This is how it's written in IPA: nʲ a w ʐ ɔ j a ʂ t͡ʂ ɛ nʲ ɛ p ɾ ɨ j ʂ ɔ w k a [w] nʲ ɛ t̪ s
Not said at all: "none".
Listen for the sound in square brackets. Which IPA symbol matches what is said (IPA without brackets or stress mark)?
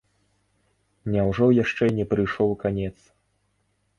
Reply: none